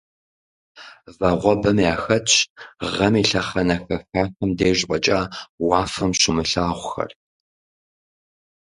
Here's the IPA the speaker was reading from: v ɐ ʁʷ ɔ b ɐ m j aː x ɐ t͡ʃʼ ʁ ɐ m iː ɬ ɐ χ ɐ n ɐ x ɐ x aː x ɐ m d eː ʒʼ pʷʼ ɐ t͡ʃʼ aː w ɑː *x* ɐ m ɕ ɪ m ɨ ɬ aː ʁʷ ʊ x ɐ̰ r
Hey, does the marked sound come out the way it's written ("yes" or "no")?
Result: no